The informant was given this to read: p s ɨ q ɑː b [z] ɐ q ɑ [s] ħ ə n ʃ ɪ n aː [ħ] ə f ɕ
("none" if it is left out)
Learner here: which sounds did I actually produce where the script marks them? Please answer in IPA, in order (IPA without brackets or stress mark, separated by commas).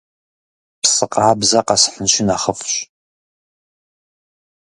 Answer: z, s, χ